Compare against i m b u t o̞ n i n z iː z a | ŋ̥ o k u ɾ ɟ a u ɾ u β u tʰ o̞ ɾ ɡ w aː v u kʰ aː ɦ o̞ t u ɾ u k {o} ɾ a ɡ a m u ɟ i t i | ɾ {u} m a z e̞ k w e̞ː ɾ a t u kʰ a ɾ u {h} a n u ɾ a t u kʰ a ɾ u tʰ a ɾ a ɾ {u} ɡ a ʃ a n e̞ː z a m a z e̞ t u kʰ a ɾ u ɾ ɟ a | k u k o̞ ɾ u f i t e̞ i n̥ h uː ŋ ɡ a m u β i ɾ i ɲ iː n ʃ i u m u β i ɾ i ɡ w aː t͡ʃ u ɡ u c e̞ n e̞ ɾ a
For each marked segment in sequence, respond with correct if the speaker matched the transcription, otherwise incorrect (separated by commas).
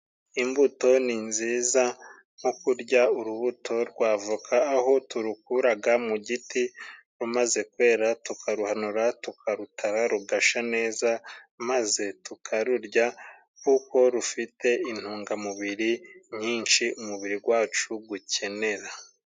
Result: incorrect, correct, correct, correct